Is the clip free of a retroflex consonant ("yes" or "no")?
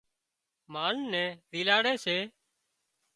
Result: no